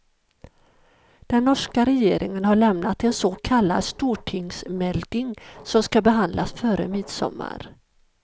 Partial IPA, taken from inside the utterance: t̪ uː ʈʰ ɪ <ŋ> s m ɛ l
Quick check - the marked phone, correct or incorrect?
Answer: correct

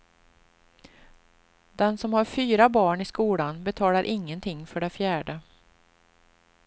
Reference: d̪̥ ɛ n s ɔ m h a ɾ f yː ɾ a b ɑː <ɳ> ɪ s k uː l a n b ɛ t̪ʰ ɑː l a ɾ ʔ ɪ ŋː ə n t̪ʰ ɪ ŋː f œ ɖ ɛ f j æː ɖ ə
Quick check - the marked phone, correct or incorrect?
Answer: correct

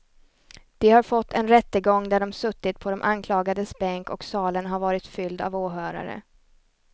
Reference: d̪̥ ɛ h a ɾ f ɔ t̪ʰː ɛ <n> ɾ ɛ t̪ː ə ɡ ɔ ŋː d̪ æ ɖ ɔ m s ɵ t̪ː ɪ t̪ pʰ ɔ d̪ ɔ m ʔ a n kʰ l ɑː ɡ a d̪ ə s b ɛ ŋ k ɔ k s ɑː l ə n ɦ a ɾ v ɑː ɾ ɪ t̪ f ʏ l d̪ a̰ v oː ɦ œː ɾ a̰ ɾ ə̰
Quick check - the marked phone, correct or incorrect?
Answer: correct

